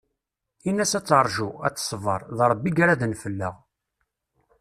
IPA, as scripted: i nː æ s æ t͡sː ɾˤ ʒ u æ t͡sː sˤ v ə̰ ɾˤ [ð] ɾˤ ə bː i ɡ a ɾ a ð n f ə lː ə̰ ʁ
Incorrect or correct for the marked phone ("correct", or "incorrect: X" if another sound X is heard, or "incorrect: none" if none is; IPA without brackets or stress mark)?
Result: correct